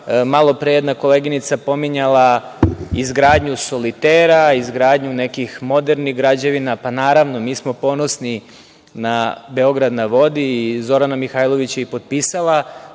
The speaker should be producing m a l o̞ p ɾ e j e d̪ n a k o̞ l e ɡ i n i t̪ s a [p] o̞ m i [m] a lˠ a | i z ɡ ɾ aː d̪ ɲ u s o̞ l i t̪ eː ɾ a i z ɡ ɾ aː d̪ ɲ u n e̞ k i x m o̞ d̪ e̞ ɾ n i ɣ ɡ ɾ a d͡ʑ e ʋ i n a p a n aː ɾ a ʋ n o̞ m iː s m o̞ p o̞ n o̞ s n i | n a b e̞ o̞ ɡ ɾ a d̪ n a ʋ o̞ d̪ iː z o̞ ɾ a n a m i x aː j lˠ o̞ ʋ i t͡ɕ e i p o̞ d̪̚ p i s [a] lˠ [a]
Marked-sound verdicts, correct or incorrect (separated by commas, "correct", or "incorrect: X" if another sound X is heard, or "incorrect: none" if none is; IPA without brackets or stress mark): correct, incorrect: ɲ, correct, correct